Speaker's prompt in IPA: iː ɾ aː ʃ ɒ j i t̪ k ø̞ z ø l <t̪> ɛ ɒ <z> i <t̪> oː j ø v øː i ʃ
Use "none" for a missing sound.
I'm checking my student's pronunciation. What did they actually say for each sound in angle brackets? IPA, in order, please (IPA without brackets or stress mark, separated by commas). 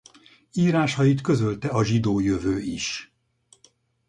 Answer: t̪, ʒ, d̪